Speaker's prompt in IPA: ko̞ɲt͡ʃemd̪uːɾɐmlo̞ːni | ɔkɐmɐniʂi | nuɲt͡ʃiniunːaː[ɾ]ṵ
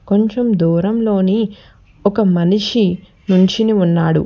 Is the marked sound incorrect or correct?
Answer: incorrect